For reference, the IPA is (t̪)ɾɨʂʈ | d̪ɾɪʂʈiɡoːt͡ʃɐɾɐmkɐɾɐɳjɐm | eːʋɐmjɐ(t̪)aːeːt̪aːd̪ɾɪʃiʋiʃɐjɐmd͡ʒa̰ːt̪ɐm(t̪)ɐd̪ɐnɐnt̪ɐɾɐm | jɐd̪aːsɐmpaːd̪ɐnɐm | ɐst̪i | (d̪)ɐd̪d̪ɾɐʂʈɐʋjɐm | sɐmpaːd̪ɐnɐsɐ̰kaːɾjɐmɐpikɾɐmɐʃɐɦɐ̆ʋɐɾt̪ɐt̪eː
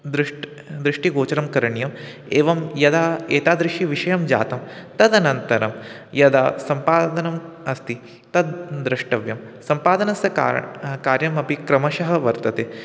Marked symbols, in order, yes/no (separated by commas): no, no, yes, no